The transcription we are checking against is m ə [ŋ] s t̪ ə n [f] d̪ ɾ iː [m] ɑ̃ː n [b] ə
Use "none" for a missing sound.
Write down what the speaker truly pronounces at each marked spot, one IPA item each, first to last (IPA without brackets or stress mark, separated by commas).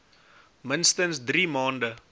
n, s, m, d